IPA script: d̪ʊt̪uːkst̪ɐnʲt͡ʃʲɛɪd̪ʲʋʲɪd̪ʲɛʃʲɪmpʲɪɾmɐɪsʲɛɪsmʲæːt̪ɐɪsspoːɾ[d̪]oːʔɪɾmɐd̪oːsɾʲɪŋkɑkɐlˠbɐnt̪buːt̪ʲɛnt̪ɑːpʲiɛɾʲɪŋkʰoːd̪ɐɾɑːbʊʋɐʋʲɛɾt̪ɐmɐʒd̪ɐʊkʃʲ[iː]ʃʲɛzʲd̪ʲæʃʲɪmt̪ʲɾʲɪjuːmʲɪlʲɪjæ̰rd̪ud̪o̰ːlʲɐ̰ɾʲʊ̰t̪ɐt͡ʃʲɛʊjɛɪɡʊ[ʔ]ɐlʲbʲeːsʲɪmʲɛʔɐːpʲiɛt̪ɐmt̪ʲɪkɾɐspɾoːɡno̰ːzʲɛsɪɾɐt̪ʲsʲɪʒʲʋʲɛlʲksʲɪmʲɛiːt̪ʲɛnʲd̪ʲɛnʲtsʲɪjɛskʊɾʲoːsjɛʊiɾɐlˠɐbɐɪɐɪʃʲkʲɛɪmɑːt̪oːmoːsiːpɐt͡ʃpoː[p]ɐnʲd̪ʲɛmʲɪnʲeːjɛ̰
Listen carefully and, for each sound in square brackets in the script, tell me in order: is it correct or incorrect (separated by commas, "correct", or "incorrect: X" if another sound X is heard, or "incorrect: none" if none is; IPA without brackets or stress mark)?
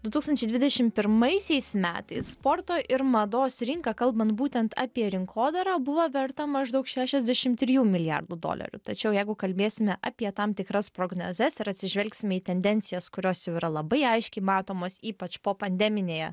incorrect: t̪, incorrect: æː, incorrect: k, correct